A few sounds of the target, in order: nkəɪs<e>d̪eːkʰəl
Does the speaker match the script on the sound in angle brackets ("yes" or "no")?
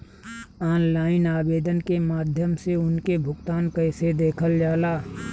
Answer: yes